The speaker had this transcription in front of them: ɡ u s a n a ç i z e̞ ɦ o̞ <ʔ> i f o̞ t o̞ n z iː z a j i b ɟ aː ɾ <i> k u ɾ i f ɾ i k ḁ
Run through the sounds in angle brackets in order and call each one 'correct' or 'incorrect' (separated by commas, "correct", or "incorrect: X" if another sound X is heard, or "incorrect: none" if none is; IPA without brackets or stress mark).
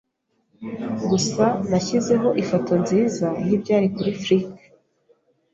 correct, correct